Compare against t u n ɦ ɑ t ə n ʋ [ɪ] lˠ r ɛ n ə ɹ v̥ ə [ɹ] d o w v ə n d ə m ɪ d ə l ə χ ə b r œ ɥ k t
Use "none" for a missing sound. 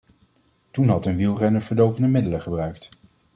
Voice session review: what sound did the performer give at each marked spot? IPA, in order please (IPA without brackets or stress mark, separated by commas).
i, ɹ